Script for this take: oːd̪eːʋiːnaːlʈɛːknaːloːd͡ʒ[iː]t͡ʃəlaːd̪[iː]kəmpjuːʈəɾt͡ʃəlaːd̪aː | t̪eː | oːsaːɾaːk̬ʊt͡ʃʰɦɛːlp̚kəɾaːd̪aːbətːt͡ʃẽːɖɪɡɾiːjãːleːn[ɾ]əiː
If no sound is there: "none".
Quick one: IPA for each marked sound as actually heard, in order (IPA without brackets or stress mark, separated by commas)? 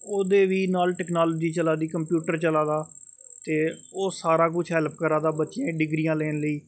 iː, iː, l